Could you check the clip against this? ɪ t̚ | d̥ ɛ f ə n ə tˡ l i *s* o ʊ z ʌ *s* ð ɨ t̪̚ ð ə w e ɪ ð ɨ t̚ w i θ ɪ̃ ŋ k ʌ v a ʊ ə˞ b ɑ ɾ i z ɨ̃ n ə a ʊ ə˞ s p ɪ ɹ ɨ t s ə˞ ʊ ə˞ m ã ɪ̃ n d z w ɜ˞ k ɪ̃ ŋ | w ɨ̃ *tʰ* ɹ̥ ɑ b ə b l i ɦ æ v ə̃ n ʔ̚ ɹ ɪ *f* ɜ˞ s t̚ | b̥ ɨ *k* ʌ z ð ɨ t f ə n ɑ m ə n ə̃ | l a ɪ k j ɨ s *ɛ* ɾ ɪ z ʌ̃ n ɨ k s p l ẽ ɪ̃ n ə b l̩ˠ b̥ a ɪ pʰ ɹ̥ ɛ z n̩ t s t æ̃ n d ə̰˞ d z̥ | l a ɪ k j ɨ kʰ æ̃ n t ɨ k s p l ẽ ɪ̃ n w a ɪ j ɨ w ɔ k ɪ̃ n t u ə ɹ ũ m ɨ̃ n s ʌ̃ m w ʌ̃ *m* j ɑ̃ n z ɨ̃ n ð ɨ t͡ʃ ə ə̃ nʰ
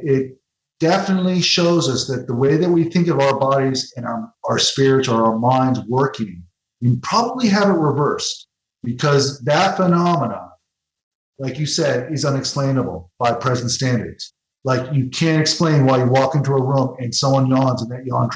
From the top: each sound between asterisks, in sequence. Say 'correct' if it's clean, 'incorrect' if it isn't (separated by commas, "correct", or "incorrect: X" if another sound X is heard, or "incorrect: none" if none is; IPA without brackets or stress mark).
incorrect: ʃ, correct, incorrect: pʰ, incorrect: v, incorrect: kʰ, correct, incorrect: n